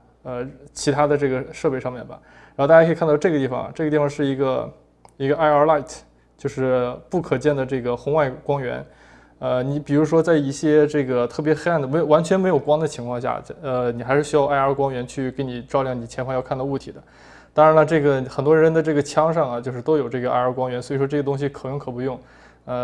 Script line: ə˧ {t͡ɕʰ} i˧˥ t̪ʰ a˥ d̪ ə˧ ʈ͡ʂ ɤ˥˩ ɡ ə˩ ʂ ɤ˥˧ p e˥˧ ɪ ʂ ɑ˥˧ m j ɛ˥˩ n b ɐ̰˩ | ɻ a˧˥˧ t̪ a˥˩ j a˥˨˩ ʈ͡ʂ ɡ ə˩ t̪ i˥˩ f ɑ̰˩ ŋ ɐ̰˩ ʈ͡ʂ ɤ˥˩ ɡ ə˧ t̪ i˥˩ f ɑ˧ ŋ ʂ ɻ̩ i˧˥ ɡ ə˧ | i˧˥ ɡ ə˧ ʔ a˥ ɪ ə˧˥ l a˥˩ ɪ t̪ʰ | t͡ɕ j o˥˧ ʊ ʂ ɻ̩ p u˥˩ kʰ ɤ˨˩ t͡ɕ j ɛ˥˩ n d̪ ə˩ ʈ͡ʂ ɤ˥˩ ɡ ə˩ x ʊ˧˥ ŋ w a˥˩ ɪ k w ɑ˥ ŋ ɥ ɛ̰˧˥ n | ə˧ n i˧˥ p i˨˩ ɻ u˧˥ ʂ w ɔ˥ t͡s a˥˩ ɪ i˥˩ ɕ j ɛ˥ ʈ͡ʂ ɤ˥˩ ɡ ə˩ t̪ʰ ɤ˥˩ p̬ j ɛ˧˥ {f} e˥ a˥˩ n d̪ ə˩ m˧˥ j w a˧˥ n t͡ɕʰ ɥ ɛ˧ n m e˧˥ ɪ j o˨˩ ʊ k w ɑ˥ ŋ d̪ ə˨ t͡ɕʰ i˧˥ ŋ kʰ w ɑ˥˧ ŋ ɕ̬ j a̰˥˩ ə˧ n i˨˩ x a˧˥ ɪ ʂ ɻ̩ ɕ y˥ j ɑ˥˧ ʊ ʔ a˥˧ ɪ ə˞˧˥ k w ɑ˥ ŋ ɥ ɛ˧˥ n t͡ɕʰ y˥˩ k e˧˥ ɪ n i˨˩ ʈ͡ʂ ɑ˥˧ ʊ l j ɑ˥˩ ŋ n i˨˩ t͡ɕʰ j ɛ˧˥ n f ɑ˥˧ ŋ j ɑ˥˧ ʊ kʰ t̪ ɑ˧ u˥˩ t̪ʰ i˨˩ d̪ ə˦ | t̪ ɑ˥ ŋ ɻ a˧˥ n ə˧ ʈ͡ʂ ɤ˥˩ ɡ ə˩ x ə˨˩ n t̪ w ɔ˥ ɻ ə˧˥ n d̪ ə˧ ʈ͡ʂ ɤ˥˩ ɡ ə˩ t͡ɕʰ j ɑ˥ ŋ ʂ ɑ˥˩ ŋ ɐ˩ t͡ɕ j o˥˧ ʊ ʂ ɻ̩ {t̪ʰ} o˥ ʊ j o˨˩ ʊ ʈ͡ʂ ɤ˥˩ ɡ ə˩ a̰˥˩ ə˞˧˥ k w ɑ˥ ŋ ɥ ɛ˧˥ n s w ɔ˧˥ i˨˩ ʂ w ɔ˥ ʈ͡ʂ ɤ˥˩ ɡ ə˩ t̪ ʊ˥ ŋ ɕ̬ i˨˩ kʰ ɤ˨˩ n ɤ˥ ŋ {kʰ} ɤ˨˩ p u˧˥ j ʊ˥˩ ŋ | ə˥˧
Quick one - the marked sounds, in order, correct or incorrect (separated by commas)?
correct, incorrect, incorrect, correct